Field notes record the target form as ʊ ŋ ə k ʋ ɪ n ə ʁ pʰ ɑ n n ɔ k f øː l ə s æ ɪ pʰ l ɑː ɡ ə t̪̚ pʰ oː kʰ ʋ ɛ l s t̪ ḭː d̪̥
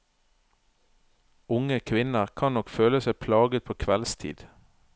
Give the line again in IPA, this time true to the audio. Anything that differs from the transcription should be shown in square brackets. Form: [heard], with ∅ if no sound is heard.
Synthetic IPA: ʊ ŋ ə [kʰ] ʋ ɪ n ə ʁ [kʰ] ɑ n n ɔ k f øː l ə s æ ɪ pʰ l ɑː ɡ ə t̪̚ pʰ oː kʰ ʋ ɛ l s [t̪ʰ] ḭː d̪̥